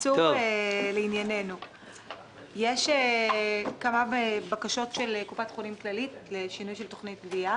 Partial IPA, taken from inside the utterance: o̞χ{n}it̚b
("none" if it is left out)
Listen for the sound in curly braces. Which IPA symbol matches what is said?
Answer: n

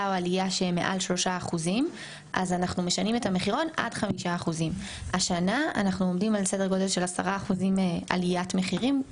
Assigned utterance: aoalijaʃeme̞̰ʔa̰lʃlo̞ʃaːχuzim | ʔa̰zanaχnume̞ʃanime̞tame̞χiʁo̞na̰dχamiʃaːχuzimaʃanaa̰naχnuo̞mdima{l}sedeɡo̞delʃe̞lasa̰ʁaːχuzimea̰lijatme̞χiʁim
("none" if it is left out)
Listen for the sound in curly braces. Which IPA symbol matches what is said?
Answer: l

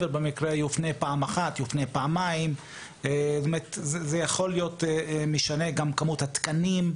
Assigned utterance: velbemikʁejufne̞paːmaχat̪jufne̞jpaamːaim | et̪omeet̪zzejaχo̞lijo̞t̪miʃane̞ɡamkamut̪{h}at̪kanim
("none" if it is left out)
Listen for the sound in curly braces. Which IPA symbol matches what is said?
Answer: h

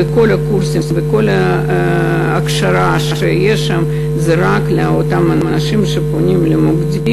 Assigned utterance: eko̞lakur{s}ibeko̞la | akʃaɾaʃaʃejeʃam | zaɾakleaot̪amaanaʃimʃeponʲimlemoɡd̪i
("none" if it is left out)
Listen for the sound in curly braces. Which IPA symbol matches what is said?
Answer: s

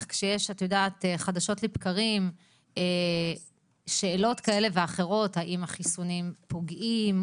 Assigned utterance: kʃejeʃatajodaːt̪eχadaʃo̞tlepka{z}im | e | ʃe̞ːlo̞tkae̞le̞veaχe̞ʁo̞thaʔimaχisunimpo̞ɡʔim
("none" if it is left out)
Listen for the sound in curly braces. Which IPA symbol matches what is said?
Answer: ʁ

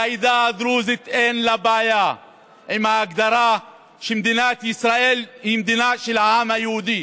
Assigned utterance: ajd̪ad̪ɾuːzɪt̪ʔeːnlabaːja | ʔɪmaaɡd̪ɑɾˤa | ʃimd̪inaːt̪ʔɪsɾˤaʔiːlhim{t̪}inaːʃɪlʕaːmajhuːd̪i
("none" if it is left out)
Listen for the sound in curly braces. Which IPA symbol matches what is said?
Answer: d̪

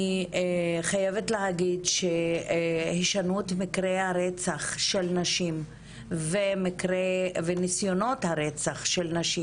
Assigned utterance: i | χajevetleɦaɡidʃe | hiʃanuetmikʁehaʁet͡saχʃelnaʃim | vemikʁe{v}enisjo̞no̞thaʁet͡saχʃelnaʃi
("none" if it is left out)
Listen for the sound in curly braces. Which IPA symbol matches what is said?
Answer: v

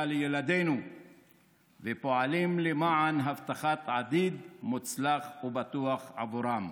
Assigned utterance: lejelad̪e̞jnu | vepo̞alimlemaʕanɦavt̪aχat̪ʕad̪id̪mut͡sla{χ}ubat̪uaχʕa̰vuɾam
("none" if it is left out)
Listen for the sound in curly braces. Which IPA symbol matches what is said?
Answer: χ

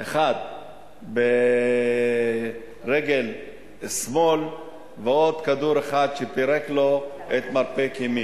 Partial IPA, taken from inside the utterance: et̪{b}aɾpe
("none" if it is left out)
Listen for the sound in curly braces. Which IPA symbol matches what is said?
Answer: m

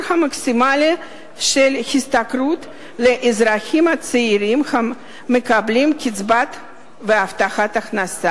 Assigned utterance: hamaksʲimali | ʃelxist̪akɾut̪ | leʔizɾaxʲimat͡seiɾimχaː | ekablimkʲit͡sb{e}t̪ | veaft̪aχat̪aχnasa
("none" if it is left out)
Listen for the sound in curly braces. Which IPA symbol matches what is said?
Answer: a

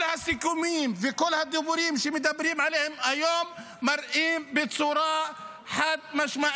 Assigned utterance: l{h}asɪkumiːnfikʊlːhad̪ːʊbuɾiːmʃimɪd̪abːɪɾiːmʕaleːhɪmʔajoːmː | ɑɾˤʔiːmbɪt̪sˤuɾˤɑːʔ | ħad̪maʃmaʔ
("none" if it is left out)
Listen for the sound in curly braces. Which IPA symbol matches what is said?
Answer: h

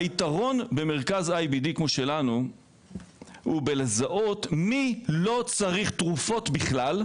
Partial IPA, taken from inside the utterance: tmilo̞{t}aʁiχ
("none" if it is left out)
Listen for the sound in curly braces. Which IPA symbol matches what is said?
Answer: t͡s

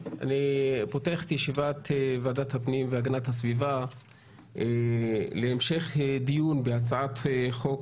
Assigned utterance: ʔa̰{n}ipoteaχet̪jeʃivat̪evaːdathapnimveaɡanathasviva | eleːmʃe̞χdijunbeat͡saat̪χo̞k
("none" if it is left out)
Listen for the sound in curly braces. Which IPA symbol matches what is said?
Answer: n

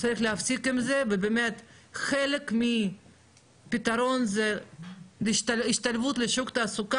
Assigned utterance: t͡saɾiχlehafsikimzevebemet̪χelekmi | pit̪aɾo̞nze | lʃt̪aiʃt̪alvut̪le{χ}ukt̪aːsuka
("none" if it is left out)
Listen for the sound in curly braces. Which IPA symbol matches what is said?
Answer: ʃ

